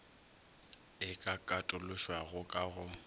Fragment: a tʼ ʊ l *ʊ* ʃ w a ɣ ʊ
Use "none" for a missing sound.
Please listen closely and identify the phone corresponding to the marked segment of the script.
ʊ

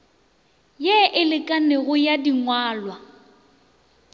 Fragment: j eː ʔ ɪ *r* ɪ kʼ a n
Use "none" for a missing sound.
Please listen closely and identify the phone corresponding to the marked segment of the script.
l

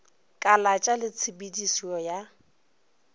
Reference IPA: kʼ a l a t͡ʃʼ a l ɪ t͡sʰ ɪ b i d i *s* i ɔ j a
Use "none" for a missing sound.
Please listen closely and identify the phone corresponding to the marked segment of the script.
s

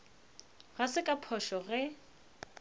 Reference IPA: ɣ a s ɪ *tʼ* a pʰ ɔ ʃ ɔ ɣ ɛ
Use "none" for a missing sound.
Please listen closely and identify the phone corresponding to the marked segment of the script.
kʼ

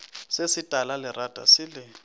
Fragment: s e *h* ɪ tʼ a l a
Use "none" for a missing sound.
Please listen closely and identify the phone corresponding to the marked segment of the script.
s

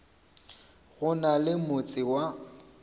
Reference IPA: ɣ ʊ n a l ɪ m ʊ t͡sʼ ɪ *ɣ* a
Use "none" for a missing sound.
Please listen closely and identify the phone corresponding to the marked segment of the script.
w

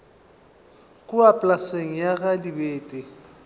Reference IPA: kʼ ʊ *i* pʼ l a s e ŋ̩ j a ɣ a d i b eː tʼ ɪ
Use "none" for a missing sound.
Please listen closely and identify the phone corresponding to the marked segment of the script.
a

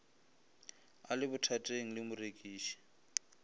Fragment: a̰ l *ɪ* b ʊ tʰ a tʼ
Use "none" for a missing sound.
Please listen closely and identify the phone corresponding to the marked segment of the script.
ɪ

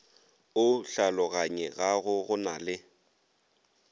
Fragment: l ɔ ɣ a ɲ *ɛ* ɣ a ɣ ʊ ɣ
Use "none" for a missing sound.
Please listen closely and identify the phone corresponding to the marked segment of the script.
ɛ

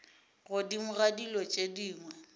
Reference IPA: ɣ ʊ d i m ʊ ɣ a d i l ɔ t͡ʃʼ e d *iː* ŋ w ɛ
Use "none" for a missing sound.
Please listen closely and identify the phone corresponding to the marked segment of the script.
iː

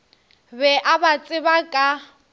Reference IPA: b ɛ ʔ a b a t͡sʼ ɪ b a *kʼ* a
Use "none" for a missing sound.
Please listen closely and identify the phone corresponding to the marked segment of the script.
kʼ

